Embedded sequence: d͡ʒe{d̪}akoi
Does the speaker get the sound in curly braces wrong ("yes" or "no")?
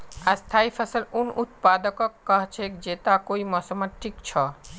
yes